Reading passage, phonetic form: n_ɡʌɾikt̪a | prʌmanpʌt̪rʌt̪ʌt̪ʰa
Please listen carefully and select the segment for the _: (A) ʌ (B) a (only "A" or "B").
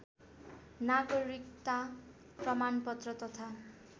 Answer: B